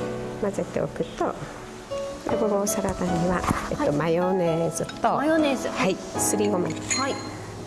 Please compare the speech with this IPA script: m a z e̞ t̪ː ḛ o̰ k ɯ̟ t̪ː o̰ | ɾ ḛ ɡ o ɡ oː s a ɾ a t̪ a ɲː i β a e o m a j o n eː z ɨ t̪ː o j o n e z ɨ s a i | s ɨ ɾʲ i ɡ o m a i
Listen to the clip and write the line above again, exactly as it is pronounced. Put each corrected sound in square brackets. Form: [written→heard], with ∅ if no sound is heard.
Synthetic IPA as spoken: m a z e̞ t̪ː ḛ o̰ k ɯ̟ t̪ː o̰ | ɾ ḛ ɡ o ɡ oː s a ɾ a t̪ a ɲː i β a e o m a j o n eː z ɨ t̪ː o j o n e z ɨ [s→h] a i | s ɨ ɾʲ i ɡ o m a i